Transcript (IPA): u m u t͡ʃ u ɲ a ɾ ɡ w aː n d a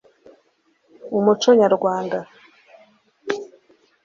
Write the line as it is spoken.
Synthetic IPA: u m u t͡ʃ o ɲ a ɾ ɡ w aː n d a